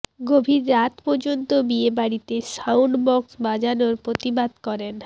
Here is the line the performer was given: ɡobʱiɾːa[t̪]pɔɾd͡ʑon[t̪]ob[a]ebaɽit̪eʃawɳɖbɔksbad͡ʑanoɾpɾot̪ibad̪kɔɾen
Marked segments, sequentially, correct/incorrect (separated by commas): correct, correct, incorrect